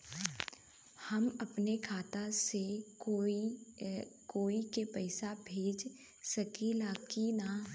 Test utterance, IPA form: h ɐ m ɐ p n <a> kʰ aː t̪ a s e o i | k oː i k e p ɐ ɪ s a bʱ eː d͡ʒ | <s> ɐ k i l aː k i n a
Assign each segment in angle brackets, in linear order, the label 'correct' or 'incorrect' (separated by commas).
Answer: incorrect, correct